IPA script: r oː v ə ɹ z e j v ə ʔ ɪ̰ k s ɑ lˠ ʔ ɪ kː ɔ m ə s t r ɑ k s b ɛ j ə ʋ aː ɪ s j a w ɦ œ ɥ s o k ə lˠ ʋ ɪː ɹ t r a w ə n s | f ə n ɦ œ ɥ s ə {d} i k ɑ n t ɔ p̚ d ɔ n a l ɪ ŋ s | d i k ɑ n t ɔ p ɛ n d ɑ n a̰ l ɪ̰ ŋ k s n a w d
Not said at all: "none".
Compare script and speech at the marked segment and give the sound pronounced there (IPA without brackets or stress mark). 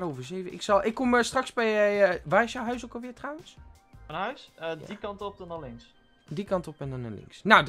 d